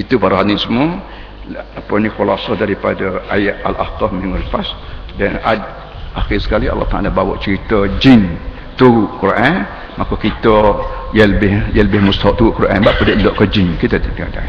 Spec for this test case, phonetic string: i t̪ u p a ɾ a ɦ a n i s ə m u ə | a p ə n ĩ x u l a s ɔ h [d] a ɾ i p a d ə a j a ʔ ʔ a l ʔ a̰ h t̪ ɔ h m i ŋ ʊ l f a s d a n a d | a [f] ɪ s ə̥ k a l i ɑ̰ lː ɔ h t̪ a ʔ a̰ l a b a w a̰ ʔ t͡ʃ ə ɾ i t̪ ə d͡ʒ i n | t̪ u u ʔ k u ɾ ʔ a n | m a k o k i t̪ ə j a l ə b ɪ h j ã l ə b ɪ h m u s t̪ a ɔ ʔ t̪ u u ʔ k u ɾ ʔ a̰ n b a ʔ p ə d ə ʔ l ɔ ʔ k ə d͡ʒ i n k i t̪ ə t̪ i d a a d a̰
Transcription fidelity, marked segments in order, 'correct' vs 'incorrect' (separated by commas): correct, incorrect